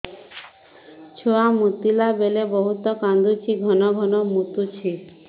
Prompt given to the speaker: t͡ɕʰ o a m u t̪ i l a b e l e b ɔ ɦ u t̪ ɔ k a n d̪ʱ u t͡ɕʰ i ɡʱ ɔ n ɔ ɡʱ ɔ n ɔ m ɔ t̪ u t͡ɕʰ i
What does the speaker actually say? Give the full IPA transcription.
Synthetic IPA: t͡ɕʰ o a m u t̪ i l a b e l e b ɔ ɦ u t̪ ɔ k a n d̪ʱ u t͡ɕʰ i ɡʱ ɔ n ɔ ɡʱ ɔ n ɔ m u t̪ u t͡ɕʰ i